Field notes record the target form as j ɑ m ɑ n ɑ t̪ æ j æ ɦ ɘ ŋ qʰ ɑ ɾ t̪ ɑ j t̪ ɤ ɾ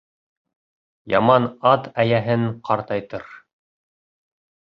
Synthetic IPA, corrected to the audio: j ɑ m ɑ n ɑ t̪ æ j æ ɦ ɘ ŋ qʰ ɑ ɾ t̪ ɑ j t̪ ɤ ɾ